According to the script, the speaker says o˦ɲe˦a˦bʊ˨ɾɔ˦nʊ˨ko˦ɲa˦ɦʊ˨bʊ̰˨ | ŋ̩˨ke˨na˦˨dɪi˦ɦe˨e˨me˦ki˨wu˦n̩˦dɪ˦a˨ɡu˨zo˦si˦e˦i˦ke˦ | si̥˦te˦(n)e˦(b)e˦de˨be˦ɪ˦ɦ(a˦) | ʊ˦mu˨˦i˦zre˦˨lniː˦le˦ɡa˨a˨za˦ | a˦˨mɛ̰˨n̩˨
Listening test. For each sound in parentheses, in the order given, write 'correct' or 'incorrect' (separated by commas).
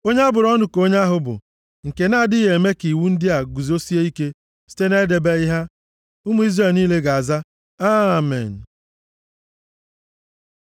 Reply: correct, incorrect, correct